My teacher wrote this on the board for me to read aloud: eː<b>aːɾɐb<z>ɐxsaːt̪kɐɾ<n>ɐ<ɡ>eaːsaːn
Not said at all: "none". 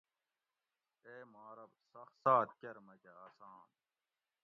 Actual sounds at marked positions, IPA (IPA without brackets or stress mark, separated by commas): m, s, m, k